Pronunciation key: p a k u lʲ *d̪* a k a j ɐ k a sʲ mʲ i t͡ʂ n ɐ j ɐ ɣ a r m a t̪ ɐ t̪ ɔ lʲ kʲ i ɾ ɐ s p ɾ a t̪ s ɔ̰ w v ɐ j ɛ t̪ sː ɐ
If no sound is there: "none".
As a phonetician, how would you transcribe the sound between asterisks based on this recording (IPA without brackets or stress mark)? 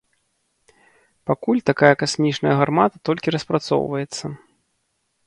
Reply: t̪